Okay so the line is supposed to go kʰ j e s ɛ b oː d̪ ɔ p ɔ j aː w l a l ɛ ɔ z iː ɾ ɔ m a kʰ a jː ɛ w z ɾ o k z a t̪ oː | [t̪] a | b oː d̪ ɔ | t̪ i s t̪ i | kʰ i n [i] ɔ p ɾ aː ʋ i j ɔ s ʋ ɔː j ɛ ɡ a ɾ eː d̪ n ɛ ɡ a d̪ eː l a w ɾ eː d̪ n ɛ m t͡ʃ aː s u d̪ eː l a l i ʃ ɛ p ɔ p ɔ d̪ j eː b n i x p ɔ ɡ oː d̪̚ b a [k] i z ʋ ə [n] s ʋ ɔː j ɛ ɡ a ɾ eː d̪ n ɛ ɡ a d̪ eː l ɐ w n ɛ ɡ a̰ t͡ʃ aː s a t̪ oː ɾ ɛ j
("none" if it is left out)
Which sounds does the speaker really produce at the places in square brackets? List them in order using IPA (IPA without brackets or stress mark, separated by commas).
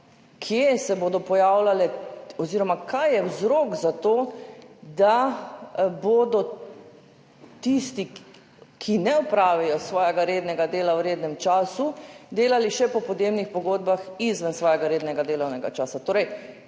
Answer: d̪, ɛ, x, n